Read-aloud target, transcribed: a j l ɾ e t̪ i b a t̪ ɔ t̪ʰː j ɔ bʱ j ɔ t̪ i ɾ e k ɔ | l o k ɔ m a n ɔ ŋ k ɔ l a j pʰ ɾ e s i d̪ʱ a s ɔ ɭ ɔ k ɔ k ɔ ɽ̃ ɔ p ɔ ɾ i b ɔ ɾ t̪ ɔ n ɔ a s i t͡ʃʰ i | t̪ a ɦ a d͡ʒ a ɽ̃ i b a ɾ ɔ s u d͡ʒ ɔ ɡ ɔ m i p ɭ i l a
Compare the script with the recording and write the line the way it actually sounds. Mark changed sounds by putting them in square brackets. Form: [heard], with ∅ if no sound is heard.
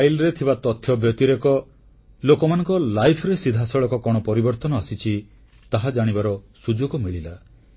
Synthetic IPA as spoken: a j l ɾ e [t̪ʰ] i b a t̪ ɔ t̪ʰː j ɔ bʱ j ɔ t̪ i ɾ e k ɔ | l o k ɔ m a n ɔ ŋ k ɔ l a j pʰ ɾ e s i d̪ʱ a s ɔ ɭ ɔ k ɔ k ɔ ɽ̃ ɔ p ɔ ɾ i b ɔ ɾ t̪ ɔ n ɔ a s i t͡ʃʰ i | t̪ a ɦ a d͡ʒ a ɽ̃ i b a ɾ ɔ s u d͡ʒ [o] ɡ ɔ m i [∅] ɭ i l a

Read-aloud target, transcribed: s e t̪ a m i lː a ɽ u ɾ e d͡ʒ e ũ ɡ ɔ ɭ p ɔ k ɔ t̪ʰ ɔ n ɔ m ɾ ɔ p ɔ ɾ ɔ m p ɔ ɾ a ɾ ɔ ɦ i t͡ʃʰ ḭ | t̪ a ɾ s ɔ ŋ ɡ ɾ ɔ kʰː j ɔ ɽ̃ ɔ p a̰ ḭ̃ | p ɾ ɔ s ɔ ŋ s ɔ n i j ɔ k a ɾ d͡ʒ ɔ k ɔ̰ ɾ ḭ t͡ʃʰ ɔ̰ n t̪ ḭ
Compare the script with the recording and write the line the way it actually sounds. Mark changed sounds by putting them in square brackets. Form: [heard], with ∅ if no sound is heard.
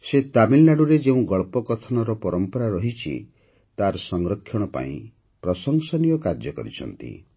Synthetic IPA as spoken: s e t̪ a m i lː a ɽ u ɾ e d͡ʒ e ũ ɡ ɔ ɭ p ɔ k ɔ t̪ʰ ɔ n ɔ [∅] ɾ ɔ p ɔ ɾ ɔ m p ɔ ɾ a ɾ ɔ ɦ i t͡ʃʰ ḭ | t̪ a ɾ s ɔ ŋ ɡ ɾ ɔ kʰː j ɔ ɽ̃ ɔ p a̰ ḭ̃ | p ɾ ɔ s ɔ ŋ s ɔ n i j ɔ k a ɾ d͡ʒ ɔ k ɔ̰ ɾ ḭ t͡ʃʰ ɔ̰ n t̪ ḭ

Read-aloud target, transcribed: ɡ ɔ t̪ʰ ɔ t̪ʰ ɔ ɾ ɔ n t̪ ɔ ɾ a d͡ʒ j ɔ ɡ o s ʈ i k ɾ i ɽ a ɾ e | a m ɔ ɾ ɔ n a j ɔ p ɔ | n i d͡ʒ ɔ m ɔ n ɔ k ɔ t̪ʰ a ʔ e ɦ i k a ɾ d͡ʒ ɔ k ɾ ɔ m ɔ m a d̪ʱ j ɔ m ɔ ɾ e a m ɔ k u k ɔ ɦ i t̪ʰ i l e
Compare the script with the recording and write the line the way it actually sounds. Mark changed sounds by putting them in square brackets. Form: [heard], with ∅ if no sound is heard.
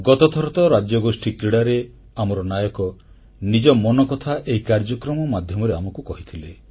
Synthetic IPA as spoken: ɡ ɔ [t̪] ɔ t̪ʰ ɔ ɾ ɔ [∅] t̪ ɔ ɾ a d͡ʒ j ɔ ɡ o s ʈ i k ɾ i ɽ a ɾ e | a m ɔ ɾ ɔ n a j ɔ [k] ɔ | n i d͡ʒ ɔ m ɔ n ɔ k ɔ t̪ʰ a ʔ e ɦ i k a ɾ d͡ʒ ɔ k ɾ ɔ m ɔ m a d̪ʱ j ɔ m ɔ ɾ e a m ɔ k u k ɔ ɦ i t̪ʰ i l e

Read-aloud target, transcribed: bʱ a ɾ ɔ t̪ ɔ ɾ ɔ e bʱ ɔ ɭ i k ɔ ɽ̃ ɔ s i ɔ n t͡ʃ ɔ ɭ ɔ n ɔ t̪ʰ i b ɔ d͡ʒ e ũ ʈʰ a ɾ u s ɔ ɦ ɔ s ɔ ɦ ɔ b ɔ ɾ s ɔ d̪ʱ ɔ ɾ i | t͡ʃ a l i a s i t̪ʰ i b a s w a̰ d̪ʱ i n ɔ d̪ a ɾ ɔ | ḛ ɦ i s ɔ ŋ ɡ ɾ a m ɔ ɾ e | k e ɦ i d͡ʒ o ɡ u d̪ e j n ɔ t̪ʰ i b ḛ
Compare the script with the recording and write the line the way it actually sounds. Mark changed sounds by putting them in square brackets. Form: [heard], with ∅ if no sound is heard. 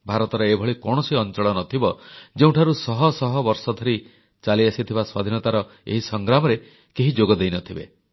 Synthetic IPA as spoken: bʱ a ɾ ɔ t̪ ɔ ɾ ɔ e bʱ ɔ ɭ i k ɔ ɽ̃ ɔ s i ɔ n t͡ʃ ɔ ɭ ɔ n ɔ t̪ʰ i b ɔ d͡ʒ e ũ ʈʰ a ɾ u s ɔ ɦ ɔ s ɔ ɦ ɔ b ɔ ɾ s ɔ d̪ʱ ɔ ɾ i | t͡ʃ a l i a s i t̪ʰ i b a s w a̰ d̪ʱ i n ɔ [t̪] a ɾ ɔ | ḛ ɦ i s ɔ ŋ ɡ ɾ a m ɔ ɾ e | k e ɦ i d͡ʒ o ɡ [ɔ] d̪ e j n ɔ t̪ʰ i b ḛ

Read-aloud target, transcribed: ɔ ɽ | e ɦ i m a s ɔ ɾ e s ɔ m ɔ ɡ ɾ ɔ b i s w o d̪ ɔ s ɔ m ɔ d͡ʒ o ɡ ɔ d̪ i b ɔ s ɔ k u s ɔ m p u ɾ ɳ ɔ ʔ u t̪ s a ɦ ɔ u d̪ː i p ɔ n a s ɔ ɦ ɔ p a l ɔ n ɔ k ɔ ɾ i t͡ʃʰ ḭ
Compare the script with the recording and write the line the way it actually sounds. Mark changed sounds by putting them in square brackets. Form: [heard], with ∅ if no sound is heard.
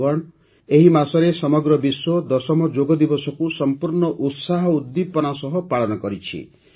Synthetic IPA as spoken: ɔ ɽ | e ɦ i m a s ɔ ɾ e s ɔ m ɔ ɡ ɾ ɔ b i s w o d̪ ɔ s ɔ m ɔ d͡ʒ o ɡ ɔ d̪ i b ɔ s ɔ k u s ɔ m p u ɾ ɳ ɔ ʔ u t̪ s a ɦ ɔ u d̪ː i p ɔ n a s ɔ ɦ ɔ p a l ɔ n ɔ k ɔ ɾ i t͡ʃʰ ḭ

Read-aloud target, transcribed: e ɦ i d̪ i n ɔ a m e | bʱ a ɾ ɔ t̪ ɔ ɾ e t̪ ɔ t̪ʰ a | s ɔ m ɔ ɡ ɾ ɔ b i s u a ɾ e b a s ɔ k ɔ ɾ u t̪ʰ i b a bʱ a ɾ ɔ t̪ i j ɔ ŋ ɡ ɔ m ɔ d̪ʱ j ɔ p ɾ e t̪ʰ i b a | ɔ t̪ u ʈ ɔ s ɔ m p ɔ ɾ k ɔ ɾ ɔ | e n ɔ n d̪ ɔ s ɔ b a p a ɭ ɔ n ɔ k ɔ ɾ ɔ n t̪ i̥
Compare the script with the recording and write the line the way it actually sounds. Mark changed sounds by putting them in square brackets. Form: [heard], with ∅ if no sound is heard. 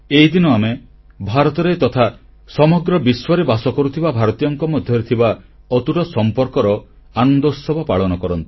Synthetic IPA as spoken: e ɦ i d̪ i n ɔ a m e | bʱ a ɾ ɔ t̪ ɔ ɾ e t̪ ɔ t̪ʰ a | s ɔ m ɔ ɡ ɾ ɔ b i s [w] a ɾ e b a s ɔ k ɔ ɾ u t̪ʰ i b a bʱ a ɾ ɔ t̪ i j ɔ ŋ [k] ɔ m ɔ d̪ʱ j ɔ [∅] ɾ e t̪ʰ i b a | ɔ t̪ u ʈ ɔ s ɔ m p ɔ ɾ k ɔ ɾ ɔ | [a] n ɔ n d̪ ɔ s ɔ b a p a ɭ ɔ n ɔ k ɔ ɾ ɔ n t̪ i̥

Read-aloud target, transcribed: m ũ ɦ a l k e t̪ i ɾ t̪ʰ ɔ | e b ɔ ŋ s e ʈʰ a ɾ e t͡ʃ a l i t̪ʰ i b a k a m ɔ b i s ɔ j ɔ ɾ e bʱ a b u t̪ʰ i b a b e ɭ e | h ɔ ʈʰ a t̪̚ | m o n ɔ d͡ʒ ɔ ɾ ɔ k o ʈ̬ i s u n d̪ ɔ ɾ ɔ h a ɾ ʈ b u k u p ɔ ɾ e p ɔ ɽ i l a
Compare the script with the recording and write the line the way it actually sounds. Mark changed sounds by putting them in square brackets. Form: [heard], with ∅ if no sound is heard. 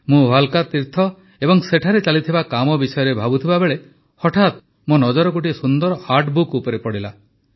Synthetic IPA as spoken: m ũ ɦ a l k [a] t̪ i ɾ t̪ʰ ɔ | e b ɔ ŋ s e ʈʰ a ɾ e t͡ʃ a l i t̪ʰ i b a k a m ɔ b i s ɔ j ɔ ɾ e bʱ a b u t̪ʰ i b a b e ɭ e | h ɔ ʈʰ a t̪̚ | m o n ɔ d͡ʒ ɔ ɾ ɔ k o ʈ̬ i s u n d̪ ɔ ɾ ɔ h a ɾ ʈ b u k u p ɔ ɾ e p ɔ ɽ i l a

